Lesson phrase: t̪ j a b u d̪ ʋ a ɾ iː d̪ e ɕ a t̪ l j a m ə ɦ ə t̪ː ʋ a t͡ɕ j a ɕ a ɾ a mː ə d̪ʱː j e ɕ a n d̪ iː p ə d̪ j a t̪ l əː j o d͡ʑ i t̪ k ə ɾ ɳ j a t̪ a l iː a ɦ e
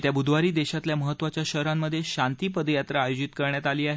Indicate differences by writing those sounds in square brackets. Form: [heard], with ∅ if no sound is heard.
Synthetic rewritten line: t̪ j a b u d̪ ʋ a ɾ iː d̪ e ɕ a t̪ l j a m ə ɦ ə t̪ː ʋ a t͡ɕ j a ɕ [ə] ɾ a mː ə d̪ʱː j e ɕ a n [t̪] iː p ə d̪ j a t̪ [ɾ] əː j o d͡ʑ i t̪ k ə ɾ ɳ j a t̪ a l iː a ɦ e